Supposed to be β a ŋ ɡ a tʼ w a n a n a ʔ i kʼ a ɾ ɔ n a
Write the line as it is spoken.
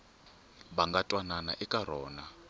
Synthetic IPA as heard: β a ŋ ɡ a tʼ w a n a n a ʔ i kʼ a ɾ ɔː n a